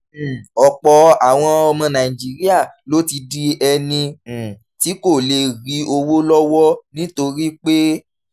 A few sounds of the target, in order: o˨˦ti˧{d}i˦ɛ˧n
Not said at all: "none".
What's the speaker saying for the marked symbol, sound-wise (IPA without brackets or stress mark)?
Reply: d